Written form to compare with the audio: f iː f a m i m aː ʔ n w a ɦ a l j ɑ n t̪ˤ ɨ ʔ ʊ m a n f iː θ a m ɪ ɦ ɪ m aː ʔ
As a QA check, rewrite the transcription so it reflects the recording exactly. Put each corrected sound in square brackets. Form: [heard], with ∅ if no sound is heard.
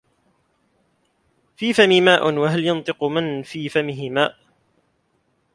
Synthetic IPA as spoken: f iː f a m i m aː ʔ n w a ɦ a l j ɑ n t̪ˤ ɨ [q] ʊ m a n f iː [f] a m ɪ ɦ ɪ m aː ʔ